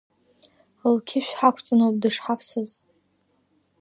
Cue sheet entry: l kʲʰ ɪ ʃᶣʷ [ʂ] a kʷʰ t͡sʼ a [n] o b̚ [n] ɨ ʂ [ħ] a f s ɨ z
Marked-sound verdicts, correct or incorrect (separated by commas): incorrect, correct, incorrect, correct